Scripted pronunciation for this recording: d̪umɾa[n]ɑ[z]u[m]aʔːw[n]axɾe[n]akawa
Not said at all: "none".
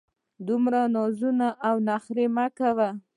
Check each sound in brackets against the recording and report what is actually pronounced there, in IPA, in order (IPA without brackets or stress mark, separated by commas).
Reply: n, z, n, n, m